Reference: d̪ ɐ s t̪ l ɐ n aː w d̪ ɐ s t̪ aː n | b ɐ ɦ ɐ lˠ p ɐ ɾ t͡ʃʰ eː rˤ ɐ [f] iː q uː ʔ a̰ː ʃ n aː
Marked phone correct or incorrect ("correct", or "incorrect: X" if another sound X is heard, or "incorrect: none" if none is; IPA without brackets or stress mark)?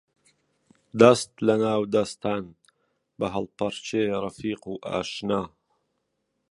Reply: correct